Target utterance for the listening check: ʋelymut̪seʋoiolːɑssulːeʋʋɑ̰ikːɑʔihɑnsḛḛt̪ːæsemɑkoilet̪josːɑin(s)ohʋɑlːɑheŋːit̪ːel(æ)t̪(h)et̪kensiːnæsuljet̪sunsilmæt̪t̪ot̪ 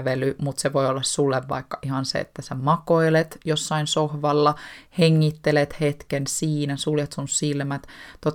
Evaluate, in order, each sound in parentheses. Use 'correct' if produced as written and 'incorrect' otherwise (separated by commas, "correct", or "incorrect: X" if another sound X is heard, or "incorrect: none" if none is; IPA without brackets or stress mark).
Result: correct, incorrect: e, correct